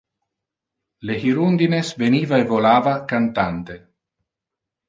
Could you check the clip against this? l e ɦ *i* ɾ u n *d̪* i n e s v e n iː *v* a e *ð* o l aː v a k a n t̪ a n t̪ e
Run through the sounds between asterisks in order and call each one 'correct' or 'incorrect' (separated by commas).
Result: correct, correct, correct, incorrect